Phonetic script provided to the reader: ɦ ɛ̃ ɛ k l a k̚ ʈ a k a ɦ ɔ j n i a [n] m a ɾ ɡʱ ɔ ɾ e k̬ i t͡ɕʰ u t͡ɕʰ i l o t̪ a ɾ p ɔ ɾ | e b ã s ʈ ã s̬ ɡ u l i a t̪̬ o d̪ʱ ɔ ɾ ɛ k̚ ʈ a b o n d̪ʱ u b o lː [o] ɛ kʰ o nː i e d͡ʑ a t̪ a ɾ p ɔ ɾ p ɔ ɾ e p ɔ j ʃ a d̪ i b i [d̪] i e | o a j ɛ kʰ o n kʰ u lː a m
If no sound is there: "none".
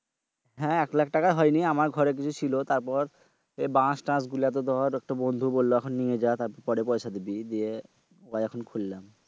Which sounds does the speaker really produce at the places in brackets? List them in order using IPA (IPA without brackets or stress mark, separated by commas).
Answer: none, o, d̪